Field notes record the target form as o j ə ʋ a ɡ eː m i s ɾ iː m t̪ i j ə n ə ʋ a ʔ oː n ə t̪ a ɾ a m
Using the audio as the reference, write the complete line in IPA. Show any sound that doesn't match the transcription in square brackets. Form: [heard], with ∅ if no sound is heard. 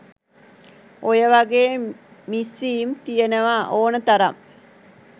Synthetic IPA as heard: o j ə ʋ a ɡ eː m i s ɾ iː m t̪ i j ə n ə ʋ a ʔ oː n ə t̪ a ɾ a m